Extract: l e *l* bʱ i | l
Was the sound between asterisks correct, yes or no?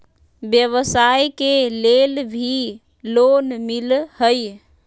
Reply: yes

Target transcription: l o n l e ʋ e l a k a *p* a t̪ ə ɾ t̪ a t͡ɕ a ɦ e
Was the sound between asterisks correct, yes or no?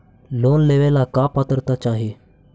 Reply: yes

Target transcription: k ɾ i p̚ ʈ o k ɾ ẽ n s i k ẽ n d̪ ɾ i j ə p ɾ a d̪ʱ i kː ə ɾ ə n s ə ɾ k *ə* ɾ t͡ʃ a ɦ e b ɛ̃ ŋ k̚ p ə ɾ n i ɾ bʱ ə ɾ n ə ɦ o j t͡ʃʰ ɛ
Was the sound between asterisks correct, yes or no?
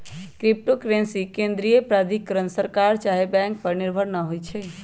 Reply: no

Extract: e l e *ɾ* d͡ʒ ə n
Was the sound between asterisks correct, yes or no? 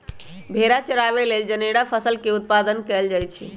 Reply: no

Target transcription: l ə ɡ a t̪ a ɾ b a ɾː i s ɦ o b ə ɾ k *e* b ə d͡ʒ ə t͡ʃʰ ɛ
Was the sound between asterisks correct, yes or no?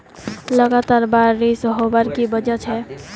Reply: no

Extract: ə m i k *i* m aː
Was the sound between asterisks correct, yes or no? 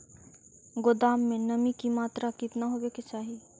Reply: yes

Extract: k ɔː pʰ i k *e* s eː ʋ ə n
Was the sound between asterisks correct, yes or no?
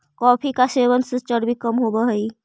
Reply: no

